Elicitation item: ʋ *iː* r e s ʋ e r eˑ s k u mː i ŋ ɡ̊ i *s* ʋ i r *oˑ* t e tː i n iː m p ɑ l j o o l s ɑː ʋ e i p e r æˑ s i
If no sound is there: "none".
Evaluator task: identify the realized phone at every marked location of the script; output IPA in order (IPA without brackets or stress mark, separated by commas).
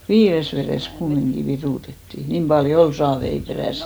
iː, none, uˑ